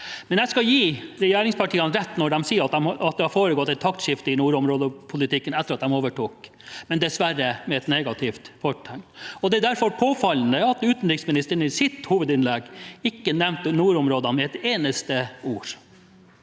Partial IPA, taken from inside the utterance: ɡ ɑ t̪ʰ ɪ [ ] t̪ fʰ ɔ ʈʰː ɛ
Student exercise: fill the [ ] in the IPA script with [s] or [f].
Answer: f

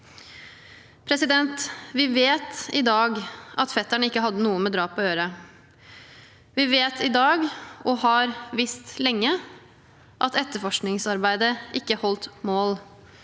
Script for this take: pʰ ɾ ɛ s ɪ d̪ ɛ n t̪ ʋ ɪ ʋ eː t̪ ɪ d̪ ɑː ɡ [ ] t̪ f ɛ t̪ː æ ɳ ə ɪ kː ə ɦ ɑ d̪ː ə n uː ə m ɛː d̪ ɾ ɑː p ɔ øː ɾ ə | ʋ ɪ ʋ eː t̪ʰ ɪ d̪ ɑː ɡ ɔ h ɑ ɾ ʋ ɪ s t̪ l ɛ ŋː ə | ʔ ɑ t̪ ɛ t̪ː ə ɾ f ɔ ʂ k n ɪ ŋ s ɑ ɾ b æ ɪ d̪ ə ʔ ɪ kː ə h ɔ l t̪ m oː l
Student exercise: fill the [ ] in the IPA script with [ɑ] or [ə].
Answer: ɑ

